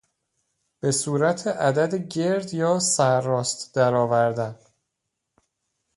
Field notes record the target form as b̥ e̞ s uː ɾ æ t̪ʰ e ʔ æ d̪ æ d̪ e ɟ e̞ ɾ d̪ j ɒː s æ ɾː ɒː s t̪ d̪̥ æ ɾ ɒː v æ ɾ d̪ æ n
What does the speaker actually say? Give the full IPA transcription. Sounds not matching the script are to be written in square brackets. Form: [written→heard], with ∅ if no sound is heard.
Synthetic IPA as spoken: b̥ e̞ s uː ɾ æ t̪ʰ e ʔ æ d̪ æ d̪ e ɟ e̞ ɾ d̪ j ɒː s æ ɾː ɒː s t̪ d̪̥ æ ɾ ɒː v æ ɾ d̪ æ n